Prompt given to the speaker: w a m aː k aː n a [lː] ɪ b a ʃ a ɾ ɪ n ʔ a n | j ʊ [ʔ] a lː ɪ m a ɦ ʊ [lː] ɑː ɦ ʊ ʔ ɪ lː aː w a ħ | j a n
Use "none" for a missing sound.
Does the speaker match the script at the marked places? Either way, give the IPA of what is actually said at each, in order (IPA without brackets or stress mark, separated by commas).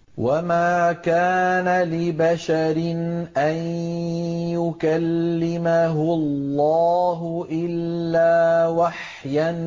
l, k, lː